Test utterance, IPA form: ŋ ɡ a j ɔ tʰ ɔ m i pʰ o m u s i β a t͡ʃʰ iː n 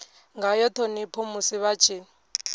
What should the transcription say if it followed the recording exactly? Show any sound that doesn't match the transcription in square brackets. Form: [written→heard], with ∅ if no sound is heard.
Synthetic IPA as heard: ŋ ɡ a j ɔ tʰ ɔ [m→n] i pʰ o m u s i β a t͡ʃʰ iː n